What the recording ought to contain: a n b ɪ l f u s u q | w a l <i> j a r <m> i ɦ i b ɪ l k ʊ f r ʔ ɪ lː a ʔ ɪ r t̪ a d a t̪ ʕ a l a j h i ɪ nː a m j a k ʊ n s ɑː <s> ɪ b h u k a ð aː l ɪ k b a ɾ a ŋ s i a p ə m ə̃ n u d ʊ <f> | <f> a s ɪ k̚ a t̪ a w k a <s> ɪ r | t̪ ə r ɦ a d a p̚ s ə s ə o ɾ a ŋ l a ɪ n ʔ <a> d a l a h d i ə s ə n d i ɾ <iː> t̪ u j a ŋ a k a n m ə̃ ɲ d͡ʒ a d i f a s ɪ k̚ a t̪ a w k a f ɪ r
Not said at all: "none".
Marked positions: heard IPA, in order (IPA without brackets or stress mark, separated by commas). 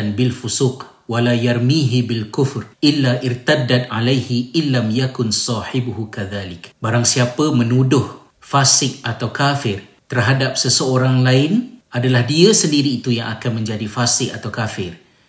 a, m, ħ, h, f, f, a, iː